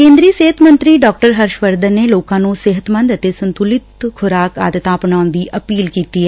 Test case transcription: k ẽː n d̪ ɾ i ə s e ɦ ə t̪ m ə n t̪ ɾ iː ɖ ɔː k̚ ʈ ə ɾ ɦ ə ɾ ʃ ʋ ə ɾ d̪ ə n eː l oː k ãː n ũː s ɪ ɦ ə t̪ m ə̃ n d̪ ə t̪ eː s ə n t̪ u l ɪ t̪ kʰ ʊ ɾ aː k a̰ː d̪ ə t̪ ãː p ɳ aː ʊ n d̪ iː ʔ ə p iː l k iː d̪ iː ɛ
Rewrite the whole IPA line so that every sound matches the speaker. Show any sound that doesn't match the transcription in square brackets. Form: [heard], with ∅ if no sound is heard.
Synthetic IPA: k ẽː n d̪ ɾ i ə s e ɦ ə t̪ m ə n t̪ ɾ iː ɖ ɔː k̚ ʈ ə ɾ ɦ ə ɾ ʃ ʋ ə ɾ d̪ ə n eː l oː k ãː n ũː s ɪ ɦ ə t̪ m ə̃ n d̪ ə t̪ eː s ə n t̪ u l ɪ t̪ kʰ ʊ ɾ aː k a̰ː d̪ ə t̪ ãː p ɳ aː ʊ n d̪ iː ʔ ə p iː l k iː [t̪] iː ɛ